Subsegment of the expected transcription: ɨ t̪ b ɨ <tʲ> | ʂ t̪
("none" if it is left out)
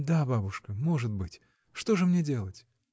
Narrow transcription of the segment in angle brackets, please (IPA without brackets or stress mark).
tʲ